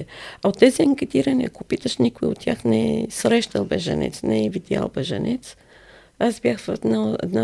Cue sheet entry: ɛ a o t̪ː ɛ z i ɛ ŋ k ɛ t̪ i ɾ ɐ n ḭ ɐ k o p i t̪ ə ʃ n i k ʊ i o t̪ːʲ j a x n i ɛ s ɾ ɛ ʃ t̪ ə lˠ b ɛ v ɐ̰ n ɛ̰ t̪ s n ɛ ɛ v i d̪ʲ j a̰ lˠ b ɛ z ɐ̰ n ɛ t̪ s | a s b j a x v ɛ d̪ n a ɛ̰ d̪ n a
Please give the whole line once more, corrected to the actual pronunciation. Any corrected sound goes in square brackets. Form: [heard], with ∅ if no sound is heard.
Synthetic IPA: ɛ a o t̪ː ɛ z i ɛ ŋ k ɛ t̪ i ɾ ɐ n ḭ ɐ k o p i t̪ ə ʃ n i k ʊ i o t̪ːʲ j a x n [ɛ] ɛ s ɾ ɛ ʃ t̪ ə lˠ b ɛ [ʒ] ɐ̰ n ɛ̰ t̪ s n ɛ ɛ v i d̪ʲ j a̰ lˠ b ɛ [ʒ] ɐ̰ n ɛ t̪ s | a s b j a x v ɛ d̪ n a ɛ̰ d̪ n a